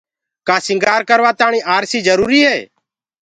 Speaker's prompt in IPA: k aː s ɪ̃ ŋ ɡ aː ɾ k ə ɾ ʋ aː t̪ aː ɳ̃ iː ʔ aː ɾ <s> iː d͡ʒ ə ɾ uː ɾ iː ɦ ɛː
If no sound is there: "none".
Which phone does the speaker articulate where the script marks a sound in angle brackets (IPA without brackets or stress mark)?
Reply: s